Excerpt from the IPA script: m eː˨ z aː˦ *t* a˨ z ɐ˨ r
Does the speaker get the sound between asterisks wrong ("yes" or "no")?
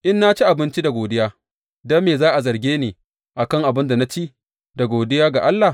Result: yes